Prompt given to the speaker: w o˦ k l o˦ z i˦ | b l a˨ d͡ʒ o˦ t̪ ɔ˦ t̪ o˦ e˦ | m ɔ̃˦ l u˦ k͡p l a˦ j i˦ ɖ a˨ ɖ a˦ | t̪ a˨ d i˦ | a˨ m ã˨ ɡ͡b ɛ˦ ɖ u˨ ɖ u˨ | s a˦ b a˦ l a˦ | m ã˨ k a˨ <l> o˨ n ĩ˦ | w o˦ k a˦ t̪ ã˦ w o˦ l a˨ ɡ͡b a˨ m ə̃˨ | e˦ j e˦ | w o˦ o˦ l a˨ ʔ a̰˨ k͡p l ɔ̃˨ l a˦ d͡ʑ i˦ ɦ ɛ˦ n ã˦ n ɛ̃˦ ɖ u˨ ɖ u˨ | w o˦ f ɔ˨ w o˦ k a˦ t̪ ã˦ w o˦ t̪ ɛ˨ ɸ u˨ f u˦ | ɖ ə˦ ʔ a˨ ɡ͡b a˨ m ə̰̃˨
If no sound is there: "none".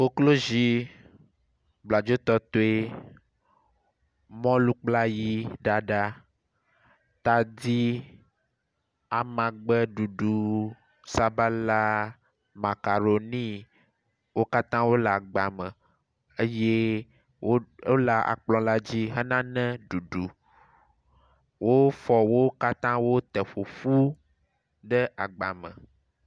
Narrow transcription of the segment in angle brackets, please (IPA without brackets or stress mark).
ɾ